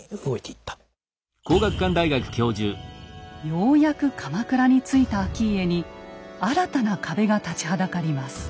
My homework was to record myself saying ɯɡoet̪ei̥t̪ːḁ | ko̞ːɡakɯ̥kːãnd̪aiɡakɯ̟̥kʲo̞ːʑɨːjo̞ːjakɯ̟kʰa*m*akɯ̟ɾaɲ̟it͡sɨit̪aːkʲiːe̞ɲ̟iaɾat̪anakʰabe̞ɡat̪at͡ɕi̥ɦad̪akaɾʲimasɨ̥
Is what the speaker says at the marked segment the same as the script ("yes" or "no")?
yes